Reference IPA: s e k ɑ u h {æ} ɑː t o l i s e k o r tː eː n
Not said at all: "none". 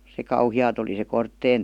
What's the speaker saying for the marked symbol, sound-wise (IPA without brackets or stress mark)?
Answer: i